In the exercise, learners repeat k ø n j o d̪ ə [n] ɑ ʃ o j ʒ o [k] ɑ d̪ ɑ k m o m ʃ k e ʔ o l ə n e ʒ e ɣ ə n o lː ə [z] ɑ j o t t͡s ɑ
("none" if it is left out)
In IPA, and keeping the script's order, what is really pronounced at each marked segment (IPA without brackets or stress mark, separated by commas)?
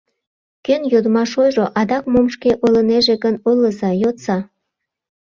m, ʔ, z